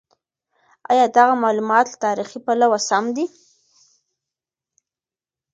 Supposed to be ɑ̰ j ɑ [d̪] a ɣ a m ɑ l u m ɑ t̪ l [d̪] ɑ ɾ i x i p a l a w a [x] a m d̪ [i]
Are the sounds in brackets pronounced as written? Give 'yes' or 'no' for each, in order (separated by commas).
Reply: yes, no, no, yes